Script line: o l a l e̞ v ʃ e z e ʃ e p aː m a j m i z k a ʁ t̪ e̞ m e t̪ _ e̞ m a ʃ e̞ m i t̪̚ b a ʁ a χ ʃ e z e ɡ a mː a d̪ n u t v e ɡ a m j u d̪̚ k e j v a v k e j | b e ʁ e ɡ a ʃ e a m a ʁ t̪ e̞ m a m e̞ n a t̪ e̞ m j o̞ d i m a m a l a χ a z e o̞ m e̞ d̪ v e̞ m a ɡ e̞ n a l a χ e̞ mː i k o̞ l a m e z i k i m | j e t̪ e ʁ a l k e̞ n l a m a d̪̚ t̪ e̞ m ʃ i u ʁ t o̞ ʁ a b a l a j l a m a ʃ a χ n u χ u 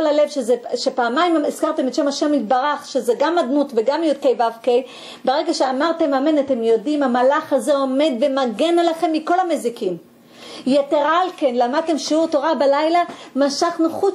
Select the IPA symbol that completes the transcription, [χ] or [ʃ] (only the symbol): ʃ